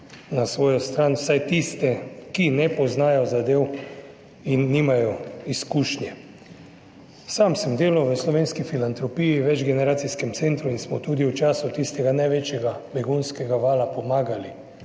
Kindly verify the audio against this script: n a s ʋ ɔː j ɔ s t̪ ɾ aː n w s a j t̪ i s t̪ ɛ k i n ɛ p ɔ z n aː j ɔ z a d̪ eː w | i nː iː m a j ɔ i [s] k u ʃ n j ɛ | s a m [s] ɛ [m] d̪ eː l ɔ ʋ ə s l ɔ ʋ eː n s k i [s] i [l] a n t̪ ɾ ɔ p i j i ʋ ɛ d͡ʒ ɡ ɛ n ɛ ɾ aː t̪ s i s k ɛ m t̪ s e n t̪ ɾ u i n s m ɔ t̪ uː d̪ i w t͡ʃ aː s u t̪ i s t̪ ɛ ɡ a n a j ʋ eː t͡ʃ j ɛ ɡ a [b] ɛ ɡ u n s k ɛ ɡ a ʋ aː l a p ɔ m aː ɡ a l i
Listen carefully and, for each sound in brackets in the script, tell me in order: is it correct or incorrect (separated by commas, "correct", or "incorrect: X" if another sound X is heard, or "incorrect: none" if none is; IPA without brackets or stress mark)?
correct, correct, correct, incorrect: f, correct, correct